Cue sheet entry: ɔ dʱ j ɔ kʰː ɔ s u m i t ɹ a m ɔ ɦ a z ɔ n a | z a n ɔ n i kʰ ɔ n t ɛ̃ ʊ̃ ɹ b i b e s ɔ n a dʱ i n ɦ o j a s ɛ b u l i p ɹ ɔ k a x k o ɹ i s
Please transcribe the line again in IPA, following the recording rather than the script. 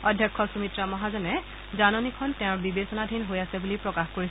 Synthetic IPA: ɔ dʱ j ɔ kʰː ɔ s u m i t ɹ a m ɔ ɦ a z ɔ n ɛ | z a n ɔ n i kʰ ɔ n t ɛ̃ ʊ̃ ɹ b i b e s ɔ n a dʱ i n ɦ o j a s ɛ b u l i p ɹ ɔ k a x k o ɹ i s